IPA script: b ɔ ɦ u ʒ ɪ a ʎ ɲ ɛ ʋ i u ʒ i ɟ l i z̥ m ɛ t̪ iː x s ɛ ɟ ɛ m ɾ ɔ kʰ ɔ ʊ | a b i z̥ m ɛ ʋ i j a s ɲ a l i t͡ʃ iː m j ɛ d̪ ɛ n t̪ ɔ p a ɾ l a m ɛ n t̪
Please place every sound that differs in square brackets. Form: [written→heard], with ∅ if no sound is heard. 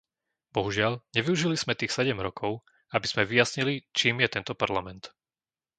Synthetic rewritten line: b ɔ ɦ u ʒ ɪ a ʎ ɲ ɛ ʋ i u ʒ i [ɟ→∅] l i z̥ m ɛ t̪ iː x s ɛ ɟ ɛ m ɾ ɔ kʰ ɔ ʊ | a b i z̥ m ɛ ʋ i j a s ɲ [a→i] l i t͡ʃ iː m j ɛ [d̪→t̪] ɛ n t̪ ɔ p a ɾ l a m ɛ n t̪